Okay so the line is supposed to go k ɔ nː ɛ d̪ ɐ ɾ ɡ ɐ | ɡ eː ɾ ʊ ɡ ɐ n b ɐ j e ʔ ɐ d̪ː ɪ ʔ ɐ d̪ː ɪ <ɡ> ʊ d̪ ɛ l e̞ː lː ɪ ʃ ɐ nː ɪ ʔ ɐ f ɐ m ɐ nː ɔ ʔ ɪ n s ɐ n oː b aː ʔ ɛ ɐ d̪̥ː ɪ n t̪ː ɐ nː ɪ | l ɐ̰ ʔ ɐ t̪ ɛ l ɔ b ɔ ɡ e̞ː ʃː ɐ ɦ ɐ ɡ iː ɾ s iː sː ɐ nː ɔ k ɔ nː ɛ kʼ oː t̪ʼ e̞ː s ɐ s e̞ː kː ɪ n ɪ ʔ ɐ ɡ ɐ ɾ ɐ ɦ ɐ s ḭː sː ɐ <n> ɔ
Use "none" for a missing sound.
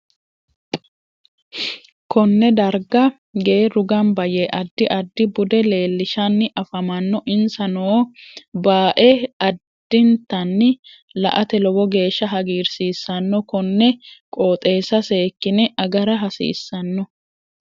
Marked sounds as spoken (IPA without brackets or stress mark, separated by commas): b, nː